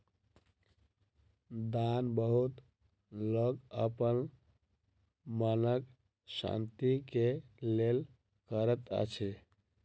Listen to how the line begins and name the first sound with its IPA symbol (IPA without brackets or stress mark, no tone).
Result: d̪